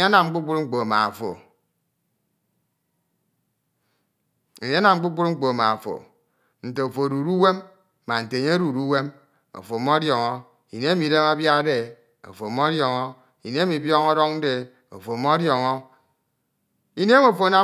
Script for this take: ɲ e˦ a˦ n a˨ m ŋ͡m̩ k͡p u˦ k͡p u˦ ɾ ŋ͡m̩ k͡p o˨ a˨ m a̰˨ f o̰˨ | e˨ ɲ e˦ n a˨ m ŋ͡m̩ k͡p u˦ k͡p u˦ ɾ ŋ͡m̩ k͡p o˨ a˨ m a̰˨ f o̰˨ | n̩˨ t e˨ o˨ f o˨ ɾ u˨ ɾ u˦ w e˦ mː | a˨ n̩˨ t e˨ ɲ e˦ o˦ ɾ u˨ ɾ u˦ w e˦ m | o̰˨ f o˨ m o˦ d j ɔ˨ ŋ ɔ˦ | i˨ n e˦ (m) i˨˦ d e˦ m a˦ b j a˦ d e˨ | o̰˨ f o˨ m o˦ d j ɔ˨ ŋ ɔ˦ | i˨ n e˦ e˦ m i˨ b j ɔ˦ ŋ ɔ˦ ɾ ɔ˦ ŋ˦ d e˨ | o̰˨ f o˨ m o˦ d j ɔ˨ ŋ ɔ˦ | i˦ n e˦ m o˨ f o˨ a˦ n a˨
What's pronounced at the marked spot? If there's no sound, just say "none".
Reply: m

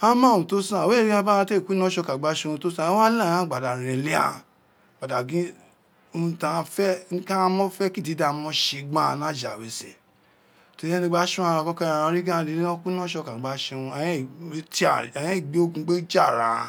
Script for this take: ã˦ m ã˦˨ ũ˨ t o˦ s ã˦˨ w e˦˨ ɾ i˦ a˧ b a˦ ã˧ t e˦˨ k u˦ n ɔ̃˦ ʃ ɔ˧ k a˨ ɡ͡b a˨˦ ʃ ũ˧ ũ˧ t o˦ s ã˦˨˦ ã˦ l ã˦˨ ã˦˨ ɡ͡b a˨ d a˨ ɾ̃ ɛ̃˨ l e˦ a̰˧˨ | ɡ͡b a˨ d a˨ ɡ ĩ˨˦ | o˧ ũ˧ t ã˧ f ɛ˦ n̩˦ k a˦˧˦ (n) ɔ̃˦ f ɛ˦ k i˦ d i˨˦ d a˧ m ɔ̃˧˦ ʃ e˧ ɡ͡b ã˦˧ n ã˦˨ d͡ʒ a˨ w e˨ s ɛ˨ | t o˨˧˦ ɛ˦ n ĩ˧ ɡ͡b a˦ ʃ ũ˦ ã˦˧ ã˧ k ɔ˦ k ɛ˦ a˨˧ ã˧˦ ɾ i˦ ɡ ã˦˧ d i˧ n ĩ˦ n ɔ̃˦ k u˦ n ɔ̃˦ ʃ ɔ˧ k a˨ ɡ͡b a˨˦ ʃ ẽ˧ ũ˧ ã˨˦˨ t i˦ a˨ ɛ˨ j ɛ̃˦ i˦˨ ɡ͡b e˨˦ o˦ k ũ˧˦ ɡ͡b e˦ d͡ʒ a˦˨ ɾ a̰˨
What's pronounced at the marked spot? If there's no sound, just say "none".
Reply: m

